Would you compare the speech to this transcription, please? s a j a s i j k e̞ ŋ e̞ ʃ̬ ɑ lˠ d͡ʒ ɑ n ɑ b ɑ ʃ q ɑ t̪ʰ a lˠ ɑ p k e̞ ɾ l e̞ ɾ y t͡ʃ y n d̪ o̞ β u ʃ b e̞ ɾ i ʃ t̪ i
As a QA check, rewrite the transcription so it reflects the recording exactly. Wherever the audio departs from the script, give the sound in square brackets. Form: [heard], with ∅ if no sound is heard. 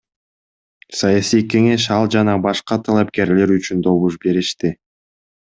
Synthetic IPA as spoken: s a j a s i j k e̞ ŋ e̞ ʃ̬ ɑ lˠ d͡ʒ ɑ n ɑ b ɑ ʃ q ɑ t̪ʰ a lˠ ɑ p k e̞ ɾ l e̞ ɾ y t͡ʃ y n d̪ o̞ β u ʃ b e̞ ɾ i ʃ t̪ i